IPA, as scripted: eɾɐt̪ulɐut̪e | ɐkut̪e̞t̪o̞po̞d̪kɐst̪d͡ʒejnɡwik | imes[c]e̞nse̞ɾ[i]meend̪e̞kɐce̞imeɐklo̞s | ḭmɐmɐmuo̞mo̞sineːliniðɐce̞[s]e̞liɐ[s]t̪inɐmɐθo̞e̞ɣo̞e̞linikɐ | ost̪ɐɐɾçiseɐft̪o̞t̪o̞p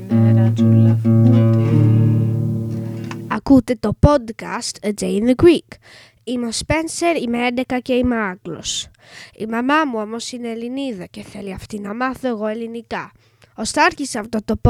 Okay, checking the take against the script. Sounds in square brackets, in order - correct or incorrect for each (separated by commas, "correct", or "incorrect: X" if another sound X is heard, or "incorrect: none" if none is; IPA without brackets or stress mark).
incorrect: p, correct, incorrect: θ, incorrect: f